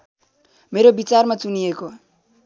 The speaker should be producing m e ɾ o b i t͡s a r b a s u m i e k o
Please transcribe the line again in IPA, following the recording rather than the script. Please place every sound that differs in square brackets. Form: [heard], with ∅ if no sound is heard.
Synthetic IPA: m e ɾ o b i t͡s a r [m] a [t͡s] u [n] i e k o